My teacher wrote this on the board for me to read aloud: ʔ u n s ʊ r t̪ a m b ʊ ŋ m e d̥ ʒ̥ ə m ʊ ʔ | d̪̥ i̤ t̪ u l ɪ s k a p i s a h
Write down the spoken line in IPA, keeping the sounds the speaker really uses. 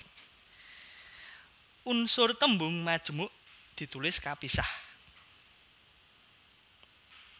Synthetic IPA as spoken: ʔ u n s ʊ r t̪ ə m b ʊ ŋ m a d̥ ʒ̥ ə m ʊ ʔ | d̪̥ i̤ t̪ u l ɪ s k a p i s a h